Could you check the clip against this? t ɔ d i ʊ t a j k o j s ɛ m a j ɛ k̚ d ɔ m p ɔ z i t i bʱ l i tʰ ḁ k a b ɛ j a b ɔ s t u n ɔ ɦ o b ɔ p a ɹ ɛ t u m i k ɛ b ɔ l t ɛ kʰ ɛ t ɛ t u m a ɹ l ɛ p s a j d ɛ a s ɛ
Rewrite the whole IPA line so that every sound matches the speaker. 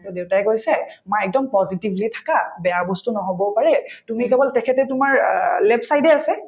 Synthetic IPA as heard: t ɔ d e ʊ t a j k o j s ɛ m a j ɛ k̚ d ɔ m p ɔ z i t i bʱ l i tʰ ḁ k a b ɛ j a b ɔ s t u n ɔ ɦ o b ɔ p a ɹ ɛ t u m i k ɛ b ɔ l t ɛ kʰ ɛ t ɛ t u m a ɹ l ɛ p s a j d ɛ a s ɛ